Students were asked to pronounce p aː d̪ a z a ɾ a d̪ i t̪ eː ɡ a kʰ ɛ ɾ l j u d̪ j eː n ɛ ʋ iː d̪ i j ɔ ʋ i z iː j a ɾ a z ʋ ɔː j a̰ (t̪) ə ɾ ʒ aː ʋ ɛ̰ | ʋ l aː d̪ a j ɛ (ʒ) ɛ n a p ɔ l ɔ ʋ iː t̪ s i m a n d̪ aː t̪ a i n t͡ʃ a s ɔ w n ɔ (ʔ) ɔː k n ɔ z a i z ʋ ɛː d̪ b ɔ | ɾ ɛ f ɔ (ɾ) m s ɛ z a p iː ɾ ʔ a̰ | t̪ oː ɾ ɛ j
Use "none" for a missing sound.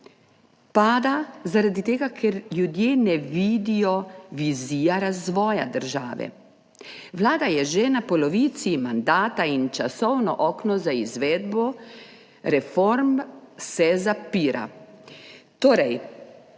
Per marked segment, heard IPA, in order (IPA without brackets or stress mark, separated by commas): d̪, ʒ, ʔ, ɾ